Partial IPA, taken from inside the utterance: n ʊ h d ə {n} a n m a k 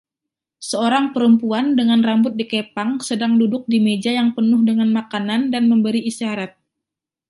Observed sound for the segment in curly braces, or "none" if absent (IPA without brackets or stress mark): ŋ